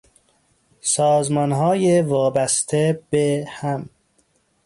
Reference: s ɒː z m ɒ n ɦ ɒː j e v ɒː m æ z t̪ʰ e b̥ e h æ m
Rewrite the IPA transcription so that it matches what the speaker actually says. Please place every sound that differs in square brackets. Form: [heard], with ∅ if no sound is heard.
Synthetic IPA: s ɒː z m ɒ n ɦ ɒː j e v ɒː [b] æ [s] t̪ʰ e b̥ e h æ m